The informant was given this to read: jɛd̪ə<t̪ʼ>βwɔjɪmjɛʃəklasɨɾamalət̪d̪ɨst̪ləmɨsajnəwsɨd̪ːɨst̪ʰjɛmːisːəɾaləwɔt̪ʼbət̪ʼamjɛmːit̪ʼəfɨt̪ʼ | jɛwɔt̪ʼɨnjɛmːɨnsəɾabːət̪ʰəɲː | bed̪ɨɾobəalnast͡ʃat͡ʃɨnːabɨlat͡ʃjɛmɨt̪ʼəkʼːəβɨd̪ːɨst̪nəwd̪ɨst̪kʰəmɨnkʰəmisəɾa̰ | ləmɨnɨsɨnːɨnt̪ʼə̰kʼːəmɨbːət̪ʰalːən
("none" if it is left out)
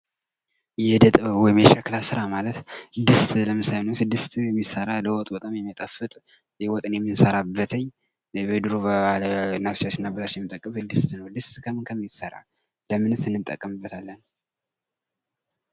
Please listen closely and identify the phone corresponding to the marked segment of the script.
t̪ʼ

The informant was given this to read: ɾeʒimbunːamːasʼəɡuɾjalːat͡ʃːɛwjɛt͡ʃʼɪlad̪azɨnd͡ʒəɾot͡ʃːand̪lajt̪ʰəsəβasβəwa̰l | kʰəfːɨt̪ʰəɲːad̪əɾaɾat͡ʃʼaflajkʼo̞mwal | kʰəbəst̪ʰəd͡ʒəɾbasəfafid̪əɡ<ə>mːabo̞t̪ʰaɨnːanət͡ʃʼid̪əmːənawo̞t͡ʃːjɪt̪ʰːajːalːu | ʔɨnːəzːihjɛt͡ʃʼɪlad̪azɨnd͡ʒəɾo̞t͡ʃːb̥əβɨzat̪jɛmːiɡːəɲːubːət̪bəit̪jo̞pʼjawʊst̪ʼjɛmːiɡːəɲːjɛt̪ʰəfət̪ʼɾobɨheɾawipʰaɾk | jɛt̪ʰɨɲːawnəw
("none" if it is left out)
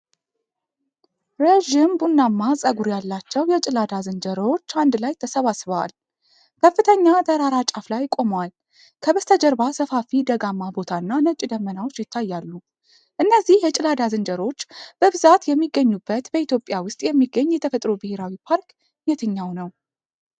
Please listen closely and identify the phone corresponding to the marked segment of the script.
a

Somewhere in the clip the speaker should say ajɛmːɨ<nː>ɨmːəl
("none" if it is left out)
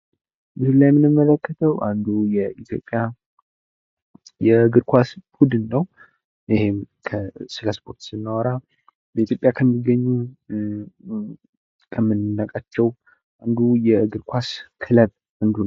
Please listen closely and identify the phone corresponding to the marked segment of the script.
n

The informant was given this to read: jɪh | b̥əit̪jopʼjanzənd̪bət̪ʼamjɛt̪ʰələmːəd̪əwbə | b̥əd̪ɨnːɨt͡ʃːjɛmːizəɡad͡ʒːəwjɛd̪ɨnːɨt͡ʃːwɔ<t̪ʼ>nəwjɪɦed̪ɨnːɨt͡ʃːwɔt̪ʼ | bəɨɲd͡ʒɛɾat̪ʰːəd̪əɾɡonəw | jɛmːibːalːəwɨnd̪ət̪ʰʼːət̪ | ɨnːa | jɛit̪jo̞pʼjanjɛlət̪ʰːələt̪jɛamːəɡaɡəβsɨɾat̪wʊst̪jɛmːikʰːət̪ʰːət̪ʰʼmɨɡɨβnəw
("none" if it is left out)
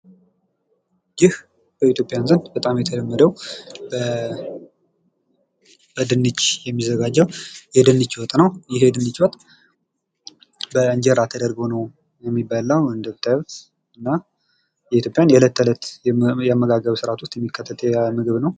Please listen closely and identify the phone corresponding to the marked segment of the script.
t̪ʼ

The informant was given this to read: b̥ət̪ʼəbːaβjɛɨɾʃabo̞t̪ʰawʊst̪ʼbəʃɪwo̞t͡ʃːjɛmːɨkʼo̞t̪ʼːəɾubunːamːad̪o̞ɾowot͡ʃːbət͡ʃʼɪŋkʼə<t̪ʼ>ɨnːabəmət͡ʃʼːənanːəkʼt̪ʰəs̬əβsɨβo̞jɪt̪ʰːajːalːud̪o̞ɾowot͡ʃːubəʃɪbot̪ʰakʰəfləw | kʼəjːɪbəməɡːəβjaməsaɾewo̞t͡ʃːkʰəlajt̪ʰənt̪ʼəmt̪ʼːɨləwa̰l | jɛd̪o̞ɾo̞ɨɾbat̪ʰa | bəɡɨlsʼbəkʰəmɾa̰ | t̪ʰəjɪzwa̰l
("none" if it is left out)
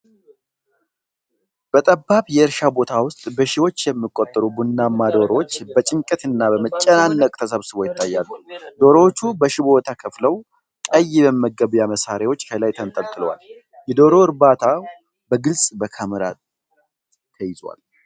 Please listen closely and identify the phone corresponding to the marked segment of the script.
t̪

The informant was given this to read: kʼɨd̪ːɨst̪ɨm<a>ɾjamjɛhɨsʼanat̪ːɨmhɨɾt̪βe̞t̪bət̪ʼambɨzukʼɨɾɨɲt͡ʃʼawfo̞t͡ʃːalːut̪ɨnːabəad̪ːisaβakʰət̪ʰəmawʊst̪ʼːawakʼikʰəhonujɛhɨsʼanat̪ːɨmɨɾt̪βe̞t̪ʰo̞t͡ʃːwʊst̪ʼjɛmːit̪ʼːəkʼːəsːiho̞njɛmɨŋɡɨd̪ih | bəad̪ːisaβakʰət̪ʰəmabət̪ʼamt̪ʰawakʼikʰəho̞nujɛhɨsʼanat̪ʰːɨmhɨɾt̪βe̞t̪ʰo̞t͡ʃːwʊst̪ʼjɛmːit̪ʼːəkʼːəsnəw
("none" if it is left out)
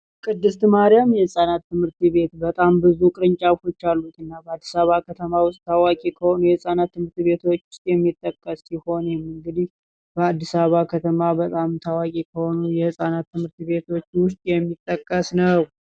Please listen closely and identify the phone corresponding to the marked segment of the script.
a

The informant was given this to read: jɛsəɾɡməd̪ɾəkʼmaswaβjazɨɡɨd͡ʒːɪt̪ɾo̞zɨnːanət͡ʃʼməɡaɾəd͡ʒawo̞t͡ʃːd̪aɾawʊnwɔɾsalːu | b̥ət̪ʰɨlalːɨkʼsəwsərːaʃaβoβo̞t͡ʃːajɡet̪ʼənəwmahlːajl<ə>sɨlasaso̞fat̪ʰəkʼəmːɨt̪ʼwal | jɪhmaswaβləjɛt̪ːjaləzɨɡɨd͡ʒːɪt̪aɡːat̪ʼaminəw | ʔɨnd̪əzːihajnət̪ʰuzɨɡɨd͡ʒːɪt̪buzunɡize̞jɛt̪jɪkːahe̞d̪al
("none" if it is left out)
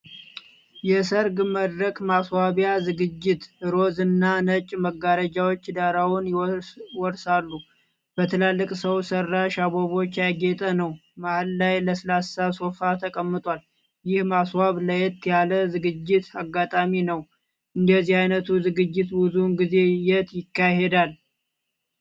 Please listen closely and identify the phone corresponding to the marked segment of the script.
ə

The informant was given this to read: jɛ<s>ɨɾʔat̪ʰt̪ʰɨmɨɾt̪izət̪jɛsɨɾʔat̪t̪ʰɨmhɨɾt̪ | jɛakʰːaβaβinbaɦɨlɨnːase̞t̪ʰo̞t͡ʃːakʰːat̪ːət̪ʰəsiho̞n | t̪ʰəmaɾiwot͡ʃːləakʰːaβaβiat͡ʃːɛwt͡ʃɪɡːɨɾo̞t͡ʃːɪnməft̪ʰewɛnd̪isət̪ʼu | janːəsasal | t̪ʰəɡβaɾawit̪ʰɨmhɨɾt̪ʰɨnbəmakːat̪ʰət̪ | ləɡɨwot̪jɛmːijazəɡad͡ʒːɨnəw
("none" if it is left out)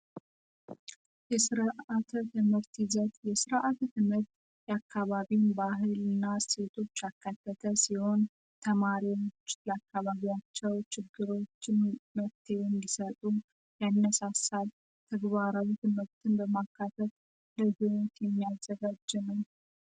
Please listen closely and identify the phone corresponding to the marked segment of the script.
s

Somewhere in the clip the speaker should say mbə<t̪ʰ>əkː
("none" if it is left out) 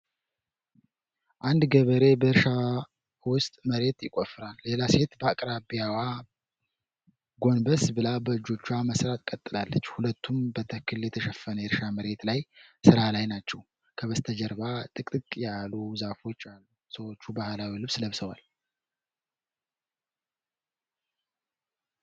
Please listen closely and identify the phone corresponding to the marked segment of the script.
t̪ʰ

